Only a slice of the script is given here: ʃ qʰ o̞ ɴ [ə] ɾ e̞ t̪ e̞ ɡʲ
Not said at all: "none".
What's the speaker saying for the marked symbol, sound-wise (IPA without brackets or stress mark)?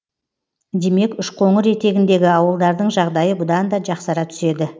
ə